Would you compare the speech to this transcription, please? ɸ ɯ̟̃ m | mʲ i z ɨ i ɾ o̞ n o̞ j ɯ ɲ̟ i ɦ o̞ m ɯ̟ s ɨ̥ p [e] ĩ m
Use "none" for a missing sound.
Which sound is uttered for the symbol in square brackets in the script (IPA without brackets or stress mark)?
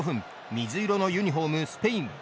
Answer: e